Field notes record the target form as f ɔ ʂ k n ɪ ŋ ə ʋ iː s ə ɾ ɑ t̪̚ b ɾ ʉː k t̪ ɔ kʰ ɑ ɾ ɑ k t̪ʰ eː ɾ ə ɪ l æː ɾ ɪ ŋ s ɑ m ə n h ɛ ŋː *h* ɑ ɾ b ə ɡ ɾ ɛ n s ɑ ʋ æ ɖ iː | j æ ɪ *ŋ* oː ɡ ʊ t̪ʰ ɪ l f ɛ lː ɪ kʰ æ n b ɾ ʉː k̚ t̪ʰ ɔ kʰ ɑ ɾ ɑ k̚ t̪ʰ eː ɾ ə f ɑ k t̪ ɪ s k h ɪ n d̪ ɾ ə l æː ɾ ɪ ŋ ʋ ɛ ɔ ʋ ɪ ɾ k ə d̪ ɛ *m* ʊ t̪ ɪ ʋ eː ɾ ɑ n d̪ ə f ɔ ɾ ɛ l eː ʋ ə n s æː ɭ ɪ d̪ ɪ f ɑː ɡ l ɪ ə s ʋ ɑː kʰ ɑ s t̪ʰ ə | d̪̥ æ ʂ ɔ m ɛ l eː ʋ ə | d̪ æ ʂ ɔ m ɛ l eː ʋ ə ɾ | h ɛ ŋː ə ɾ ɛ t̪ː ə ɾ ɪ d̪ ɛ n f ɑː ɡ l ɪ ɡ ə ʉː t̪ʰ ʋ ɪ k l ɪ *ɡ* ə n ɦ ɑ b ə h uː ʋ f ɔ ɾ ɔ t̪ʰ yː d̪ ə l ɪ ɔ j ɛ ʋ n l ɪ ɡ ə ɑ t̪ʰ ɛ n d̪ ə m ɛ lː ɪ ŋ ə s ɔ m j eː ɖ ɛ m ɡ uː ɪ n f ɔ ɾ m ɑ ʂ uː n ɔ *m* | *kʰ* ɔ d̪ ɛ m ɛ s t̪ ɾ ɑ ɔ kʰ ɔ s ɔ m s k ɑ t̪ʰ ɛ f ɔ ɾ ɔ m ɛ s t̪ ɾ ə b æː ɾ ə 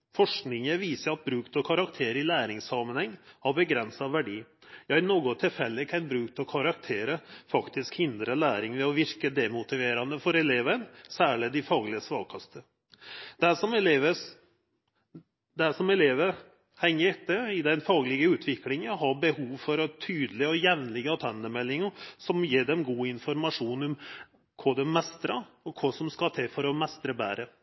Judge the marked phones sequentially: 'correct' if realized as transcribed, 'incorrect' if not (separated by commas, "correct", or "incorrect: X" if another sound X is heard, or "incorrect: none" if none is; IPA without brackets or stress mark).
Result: correct, incorrect: n, correct, incorrect: ŋ, correct, correct